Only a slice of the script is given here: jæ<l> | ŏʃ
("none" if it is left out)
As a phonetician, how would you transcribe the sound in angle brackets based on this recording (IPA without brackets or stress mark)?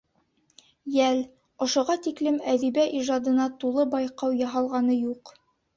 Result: l